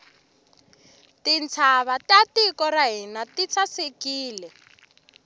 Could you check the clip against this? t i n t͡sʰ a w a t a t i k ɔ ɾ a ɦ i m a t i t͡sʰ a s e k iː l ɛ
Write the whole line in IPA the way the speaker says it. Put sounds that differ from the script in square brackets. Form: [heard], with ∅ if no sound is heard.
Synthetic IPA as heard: t i n t͡sʰ a [β] a t a t i k ɔ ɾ a ɦ i [n] a t i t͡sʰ a s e k iː l ɛ